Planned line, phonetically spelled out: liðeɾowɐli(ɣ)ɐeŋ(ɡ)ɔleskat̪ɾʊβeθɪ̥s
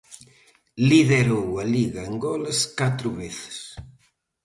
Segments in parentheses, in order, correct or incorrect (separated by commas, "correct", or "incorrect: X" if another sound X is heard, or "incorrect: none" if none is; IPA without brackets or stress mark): correct, correct